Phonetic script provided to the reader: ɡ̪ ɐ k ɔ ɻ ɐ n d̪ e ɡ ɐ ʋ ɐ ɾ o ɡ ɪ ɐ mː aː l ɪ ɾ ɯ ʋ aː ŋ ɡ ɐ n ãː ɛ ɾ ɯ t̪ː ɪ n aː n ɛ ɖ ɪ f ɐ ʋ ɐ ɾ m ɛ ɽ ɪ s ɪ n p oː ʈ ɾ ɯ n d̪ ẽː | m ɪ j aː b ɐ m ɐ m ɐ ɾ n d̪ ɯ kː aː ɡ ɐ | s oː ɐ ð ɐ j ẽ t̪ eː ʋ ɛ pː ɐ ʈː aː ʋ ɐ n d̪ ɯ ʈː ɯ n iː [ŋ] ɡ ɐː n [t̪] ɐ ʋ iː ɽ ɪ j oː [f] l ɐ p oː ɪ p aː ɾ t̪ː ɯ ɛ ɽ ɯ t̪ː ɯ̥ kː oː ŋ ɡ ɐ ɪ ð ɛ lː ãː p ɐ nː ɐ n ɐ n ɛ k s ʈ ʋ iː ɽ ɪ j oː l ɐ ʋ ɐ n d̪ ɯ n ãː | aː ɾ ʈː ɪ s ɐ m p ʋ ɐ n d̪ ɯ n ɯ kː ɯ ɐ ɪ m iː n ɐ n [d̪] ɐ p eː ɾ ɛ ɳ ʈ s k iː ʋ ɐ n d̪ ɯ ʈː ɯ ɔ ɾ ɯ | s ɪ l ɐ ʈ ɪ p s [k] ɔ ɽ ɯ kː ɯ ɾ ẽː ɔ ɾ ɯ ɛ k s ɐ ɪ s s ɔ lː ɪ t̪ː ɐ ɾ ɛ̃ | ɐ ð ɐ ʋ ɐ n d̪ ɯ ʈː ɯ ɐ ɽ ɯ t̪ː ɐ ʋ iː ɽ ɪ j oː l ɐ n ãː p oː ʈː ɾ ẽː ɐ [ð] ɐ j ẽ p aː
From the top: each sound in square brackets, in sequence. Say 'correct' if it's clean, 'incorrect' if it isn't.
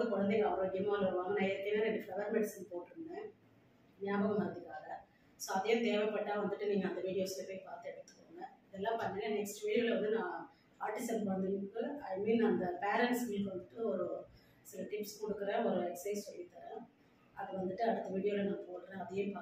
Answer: correct, incorrect: d̪, incorrect: s, correct, correct, correct

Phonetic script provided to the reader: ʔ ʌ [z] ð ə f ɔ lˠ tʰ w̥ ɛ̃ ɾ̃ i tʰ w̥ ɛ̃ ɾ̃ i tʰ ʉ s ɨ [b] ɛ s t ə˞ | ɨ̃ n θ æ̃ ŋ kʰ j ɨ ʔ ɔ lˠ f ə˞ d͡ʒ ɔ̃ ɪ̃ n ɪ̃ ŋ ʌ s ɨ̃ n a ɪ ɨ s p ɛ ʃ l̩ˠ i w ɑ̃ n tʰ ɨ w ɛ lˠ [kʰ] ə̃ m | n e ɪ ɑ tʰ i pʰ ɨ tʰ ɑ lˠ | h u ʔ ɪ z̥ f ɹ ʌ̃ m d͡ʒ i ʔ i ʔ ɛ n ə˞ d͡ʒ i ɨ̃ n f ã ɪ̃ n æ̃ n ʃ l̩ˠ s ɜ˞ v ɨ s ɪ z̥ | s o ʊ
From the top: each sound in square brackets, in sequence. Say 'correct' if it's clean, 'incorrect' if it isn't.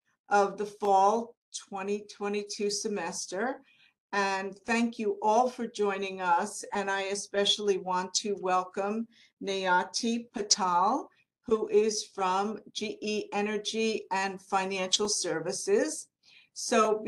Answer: incorrect: v, incorrect: m, incorrect: k

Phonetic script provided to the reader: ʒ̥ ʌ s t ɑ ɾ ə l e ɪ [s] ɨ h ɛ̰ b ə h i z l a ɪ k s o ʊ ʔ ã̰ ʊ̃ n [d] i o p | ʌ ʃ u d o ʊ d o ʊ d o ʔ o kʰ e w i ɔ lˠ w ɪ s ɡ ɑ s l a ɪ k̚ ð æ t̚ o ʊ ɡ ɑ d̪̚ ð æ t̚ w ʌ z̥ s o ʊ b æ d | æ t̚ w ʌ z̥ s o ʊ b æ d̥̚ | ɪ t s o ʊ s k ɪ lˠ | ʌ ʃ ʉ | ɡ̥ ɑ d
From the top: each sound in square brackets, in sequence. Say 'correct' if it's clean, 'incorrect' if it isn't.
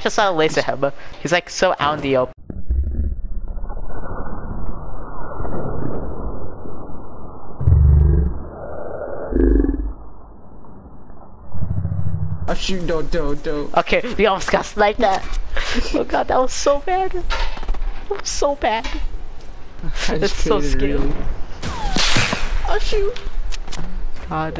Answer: correct, correct

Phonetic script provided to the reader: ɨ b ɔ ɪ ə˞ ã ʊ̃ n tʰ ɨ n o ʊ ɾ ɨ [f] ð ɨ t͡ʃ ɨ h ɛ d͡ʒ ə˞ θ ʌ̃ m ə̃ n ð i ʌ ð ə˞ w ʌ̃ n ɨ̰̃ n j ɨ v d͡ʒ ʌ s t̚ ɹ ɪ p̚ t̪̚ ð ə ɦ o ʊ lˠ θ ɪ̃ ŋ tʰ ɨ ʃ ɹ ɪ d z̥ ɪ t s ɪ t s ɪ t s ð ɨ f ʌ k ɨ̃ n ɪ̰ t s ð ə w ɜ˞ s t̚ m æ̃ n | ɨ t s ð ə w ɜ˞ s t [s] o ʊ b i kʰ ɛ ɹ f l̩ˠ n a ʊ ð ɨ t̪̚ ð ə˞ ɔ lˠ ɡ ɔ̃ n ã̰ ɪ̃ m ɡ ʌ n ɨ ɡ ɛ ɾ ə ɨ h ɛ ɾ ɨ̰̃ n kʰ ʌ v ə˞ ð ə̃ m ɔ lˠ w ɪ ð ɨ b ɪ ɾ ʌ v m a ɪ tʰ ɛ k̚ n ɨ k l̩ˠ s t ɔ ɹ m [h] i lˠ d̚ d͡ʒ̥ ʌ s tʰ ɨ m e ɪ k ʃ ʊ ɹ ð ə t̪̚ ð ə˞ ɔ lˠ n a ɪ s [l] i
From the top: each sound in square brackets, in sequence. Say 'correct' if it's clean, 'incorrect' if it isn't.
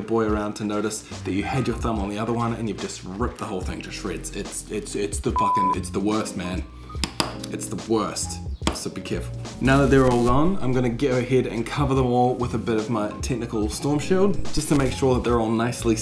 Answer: incorrect: s, correct, incorrect: ʃ, correct

